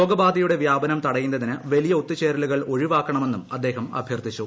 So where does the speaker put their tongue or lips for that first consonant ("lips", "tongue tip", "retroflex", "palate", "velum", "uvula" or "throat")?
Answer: velum